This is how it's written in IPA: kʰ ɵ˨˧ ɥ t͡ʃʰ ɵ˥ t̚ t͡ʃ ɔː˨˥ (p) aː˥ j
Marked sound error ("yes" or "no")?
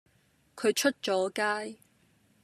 yes